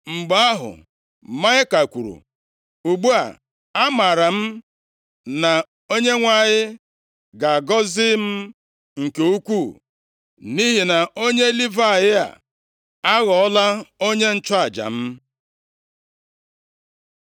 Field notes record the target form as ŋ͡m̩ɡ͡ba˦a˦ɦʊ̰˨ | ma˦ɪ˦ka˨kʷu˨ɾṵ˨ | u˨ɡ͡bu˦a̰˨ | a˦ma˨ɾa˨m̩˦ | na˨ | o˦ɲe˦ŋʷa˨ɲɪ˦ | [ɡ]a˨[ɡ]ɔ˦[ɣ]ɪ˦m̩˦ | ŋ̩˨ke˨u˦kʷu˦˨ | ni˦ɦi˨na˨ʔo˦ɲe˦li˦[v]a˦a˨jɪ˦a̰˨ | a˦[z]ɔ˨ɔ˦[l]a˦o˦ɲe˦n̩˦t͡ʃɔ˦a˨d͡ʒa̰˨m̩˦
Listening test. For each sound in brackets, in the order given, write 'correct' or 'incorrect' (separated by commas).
correct, correct, incorrect, correct, incorrect, correct